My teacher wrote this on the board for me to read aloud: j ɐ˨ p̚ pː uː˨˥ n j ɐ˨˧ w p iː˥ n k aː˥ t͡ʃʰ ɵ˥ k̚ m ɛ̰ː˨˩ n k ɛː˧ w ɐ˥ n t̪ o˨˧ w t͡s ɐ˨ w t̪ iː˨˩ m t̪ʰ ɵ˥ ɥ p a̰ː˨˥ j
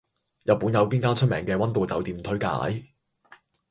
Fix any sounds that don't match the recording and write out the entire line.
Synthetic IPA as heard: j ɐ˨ t̚ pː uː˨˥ n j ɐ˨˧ w p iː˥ n k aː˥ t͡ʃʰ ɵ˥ t̚ m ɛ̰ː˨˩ ŋ k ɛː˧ w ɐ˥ n t̪ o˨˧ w t͡s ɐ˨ w t̪ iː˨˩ m t̪ʰ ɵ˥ ɥ k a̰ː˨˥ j